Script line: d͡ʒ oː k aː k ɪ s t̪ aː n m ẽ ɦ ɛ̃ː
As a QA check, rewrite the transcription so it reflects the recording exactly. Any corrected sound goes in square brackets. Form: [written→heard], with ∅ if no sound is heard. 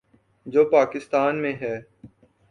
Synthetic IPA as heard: d͡ʒ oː [k→p] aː k ɪ s t̪ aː n m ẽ ɦ [ɛ̃ː→ɛː]